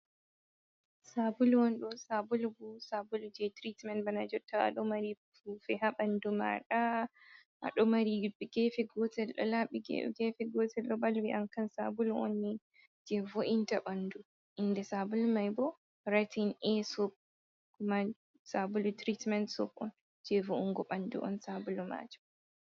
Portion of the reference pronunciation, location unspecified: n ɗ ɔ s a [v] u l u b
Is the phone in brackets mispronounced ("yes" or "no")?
yes